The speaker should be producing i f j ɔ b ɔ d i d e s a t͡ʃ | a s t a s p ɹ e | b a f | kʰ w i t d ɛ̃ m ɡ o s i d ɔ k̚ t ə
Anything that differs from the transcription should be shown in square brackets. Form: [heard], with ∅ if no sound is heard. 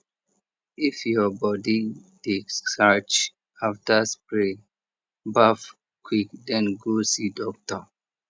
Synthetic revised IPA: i f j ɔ b ɔ d i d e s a t͡ʃ | a [f] t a s p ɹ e | b a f | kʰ w i [k] d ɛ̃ [n] ɡ o s i d ɔ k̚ t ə